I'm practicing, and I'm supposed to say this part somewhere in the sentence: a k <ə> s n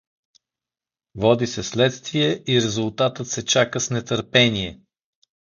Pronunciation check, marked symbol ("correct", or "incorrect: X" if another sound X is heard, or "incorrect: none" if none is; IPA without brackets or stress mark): correct